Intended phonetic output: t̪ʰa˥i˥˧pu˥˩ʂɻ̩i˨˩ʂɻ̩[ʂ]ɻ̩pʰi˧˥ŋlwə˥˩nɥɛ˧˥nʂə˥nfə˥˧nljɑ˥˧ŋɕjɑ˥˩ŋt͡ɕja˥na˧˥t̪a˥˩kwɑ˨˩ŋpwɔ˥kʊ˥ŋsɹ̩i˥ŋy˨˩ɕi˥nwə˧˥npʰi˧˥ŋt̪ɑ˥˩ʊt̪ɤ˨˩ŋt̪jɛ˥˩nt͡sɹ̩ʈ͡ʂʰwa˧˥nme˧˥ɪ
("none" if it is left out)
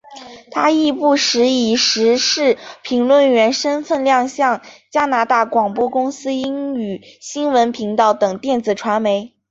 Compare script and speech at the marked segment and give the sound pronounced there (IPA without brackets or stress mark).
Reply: ʂ